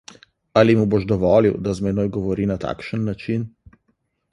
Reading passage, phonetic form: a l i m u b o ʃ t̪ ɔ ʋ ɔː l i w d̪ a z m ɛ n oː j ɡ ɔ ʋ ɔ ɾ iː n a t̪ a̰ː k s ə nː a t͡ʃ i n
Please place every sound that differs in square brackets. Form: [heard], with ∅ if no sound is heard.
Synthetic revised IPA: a l i m u b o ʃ [d̪] ɔ ʋ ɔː l i w d̪ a z m ɛ n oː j ɡ ɔ ʋ ɔ ɾ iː n a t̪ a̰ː k [ʃ] ə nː a t͡ʃ i n